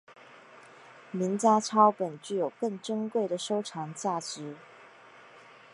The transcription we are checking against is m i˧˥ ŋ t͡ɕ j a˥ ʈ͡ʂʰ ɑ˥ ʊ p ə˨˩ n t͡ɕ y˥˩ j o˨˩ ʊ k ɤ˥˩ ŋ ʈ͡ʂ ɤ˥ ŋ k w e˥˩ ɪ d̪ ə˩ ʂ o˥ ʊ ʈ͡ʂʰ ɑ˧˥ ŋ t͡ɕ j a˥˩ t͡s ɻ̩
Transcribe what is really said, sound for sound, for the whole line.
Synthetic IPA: m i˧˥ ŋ t͡ɕ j a˥ ʈ͡ʂʰ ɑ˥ ʊ p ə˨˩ n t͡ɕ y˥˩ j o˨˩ ʊ k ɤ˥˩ ŋ ʈ͡ʂ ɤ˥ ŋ k w e˥˩ ɪ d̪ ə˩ ʂ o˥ ʊ ʈ͡ʂʰ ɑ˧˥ ŋ t͡ɕ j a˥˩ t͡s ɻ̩